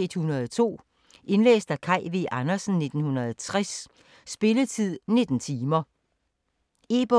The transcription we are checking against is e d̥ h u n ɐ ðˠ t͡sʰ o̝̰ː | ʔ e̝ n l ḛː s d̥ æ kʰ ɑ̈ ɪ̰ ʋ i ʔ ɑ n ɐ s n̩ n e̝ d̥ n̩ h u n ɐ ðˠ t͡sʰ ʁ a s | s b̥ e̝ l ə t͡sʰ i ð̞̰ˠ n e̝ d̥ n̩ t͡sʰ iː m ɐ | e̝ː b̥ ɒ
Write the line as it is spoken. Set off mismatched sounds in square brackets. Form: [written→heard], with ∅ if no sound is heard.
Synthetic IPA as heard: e d̥ h u n ɐ ðˠ t͡sʰ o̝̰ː | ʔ e̝ n l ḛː s d̥ æ kʰ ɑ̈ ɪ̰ ʋ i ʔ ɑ n ɐ s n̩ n e̝ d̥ n̩ h u n ɐ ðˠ t͡sʰ ʁ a s | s b̥ e̝ l ə t͡sʰ i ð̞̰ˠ n e̝ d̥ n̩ t͡sʰ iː m ɐ | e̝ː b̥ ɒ